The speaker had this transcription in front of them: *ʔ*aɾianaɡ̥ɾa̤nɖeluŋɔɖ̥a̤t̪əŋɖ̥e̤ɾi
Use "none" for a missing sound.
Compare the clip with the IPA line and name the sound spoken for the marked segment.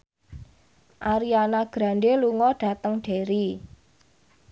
ʔ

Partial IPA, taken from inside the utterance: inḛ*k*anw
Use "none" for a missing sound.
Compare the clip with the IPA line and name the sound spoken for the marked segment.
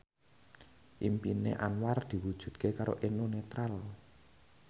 ʔ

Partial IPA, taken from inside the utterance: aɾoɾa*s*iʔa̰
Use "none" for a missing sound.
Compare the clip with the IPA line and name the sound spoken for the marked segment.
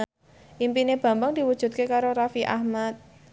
f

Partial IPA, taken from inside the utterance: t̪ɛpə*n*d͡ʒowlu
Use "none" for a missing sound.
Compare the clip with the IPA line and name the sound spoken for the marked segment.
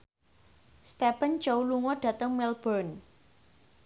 n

